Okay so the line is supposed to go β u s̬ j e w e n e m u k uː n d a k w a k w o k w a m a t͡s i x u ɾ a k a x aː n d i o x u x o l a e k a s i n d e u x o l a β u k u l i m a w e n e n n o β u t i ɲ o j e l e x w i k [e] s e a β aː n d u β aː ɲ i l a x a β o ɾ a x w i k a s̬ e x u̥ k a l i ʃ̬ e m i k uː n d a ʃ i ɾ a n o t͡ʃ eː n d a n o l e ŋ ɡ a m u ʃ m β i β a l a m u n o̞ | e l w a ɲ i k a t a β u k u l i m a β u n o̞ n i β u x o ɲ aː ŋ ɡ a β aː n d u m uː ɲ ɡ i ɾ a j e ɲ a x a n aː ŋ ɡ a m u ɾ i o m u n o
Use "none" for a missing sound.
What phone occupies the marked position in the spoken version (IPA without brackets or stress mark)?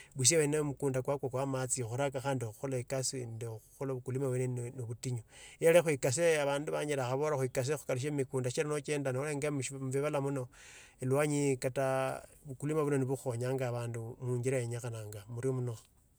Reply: a